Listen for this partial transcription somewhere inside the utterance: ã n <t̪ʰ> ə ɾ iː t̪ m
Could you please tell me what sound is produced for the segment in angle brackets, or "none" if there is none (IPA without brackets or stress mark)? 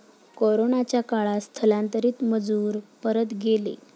t̪